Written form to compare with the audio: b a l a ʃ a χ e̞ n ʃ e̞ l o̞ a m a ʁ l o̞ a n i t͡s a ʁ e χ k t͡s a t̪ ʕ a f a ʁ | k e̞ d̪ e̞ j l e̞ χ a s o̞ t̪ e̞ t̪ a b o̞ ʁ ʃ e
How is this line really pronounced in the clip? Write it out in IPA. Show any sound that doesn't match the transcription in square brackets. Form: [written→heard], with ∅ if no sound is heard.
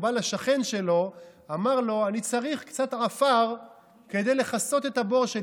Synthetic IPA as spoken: b a l a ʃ a χ e̞ n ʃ e̞ l o̞ a m a ʁ l o̞ a n i t͡s a ʁ [e→i] χ k t͡s a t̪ ʕ a f a ʁ | k e̞ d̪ e̞ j l e̞ χ a s o̞ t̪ e̞ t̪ a b o̞ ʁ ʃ e